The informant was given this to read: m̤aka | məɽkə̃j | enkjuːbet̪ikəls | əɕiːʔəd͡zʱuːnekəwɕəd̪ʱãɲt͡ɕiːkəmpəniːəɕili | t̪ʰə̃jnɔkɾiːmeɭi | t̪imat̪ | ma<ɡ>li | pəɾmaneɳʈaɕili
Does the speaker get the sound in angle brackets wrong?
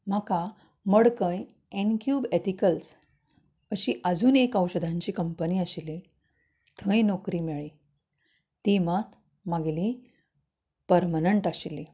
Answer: no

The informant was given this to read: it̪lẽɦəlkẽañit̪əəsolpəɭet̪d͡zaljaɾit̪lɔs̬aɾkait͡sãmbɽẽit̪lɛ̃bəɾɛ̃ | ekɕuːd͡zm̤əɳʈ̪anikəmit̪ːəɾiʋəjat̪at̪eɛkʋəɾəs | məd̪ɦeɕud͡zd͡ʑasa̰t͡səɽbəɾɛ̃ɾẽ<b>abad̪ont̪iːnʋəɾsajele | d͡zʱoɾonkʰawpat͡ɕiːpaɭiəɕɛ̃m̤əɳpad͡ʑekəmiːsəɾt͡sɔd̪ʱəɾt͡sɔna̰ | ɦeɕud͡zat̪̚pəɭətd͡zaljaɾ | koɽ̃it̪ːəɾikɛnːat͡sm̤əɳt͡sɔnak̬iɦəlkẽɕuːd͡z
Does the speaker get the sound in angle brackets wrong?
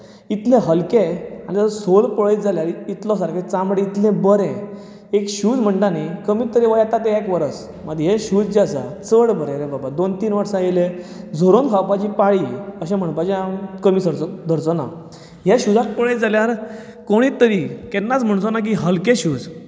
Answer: no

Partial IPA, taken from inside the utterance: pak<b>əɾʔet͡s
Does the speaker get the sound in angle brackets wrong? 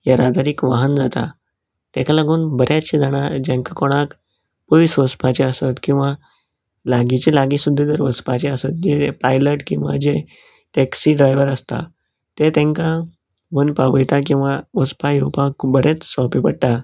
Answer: no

